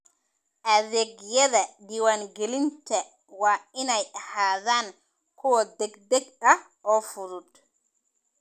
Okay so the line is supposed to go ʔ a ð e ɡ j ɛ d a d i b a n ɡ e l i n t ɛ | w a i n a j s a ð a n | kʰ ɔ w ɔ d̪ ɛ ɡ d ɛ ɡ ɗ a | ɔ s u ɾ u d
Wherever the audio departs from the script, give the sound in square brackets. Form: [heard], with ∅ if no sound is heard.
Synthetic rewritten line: ʔ a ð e ɡ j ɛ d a d i [w] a n ɡ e l i n t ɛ | w a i n a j [h] a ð a n | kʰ ɔ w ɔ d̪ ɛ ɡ d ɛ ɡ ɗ a | ɔ [f] u ɾ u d